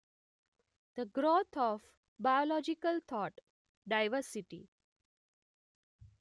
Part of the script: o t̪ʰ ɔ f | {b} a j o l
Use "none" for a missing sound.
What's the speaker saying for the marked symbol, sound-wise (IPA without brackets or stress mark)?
b